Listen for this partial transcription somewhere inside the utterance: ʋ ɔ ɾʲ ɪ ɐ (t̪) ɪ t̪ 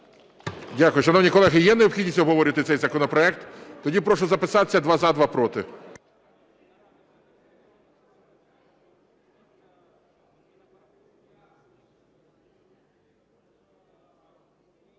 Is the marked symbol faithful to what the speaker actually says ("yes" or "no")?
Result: yes